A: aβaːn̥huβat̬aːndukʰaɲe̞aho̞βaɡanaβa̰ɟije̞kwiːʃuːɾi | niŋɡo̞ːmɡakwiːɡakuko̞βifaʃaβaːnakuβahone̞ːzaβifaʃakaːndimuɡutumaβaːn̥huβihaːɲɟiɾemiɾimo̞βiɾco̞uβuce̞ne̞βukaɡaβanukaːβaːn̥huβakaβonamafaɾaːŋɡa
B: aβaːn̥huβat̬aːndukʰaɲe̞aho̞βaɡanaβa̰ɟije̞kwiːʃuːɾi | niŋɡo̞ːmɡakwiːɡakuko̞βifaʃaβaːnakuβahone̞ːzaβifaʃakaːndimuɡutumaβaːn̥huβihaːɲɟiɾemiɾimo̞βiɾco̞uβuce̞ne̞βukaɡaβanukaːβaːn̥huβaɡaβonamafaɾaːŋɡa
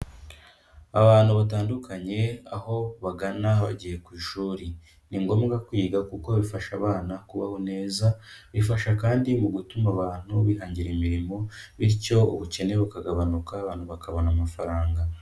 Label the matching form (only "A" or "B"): A